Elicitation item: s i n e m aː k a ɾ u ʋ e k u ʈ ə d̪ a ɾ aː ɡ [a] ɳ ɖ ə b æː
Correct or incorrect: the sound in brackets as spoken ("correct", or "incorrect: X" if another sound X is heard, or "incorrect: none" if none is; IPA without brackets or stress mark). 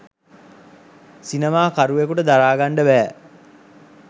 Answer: correct